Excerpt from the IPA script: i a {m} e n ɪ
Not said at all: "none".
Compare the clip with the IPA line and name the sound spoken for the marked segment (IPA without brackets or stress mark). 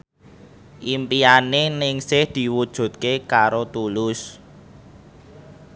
n